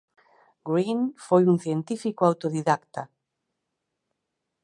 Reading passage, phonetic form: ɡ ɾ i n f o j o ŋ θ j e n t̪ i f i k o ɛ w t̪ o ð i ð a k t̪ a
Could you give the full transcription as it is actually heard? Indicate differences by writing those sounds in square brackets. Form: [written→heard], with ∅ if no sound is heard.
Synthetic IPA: ɡ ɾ i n f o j [o→u] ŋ θ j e n t̪ i f i k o [ɛ→a] w t̪ o ð i ð a k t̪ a